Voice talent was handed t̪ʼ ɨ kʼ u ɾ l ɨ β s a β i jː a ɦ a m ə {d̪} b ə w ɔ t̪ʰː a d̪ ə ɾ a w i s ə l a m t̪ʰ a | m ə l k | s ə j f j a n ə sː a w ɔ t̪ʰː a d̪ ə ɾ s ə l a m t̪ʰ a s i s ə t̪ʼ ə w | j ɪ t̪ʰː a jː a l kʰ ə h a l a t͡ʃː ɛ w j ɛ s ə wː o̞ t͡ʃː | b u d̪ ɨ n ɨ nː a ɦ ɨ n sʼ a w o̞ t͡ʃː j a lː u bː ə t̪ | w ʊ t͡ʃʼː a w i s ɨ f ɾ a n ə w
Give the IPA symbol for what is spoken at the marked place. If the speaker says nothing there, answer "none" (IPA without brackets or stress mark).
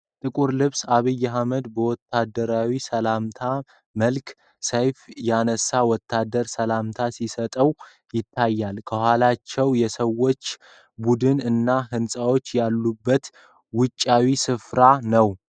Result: d̪